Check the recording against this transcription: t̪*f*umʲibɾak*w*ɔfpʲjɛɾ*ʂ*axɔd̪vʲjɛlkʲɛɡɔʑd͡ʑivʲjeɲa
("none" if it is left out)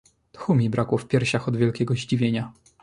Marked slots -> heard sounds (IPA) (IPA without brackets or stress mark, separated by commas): x, w, ɕ